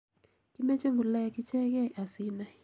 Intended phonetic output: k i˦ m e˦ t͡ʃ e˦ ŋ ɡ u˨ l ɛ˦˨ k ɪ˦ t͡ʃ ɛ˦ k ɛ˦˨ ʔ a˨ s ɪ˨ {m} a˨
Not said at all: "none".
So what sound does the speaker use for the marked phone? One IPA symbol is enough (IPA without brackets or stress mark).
n